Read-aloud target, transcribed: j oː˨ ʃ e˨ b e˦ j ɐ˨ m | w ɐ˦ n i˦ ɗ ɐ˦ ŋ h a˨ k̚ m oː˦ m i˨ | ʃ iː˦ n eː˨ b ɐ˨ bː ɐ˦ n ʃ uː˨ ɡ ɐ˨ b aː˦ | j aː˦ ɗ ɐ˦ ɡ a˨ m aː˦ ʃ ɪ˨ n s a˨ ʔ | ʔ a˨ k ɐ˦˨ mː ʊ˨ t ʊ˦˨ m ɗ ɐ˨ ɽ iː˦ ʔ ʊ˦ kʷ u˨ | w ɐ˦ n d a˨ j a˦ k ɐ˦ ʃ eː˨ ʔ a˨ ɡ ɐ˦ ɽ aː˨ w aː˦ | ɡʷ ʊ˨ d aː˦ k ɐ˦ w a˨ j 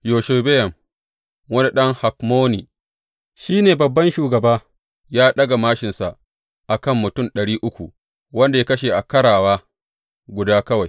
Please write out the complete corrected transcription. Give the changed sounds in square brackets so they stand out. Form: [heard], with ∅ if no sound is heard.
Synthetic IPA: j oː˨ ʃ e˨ b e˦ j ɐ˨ m | w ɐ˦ n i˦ ɗ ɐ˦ ŋ h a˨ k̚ m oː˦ [n] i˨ | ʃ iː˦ n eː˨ b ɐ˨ bː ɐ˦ n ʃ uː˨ ɡ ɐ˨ b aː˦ | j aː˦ ɗ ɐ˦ ɡ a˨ m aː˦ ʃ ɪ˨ n s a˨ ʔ | ʔ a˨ k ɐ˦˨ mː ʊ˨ t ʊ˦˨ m ɗ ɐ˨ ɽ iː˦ ʔ ʊ˦ kʷ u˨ | w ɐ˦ n d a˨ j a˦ k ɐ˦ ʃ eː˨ ʔ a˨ [k] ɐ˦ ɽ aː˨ w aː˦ | ɡʷ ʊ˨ d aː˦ k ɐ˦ w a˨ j